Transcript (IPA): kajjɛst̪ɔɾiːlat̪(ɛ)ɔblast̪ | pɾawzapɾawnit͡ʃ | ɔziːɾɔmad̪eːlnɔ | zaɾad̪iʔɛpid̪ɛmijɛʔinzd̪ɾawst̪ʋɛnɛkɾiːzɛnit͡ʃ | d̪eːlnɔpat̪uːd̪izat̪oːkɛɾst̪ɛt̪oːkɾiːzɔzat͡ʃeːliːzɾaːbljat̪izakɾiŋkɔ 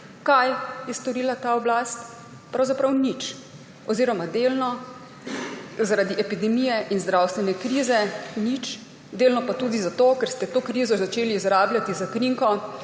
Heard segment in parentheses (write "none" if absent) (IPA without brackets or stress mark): a